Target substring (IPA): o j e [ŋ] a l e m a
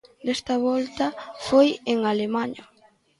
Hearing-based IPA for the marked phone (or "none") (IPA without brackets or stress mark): ŋ